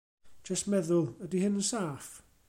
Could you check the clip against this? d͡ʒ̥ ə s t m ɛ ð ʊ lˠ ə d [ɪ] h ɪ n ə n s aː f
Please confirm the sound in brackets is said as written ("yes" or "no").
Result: no